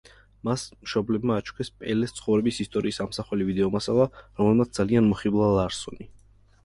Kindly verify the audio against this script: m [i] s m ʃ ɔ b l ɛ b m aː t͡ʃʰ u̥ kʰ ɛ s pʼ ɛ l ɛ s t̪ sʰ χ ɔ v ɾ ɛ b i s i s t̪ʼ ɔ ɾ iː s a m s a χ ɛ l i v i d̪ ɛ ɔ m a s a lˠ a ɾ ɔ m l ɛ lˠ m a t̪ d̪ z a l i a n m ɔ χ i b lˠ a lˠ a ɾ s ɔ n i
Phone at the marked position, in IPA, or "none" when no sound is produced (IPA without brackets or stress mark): a